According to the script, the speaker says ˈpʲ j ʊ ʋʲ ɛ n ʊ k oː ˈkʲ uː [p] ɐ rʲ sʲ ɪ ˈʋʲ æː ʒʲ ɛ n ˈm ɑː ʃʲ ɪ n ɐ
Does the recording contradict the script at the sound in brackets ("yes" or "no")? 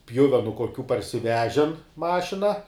no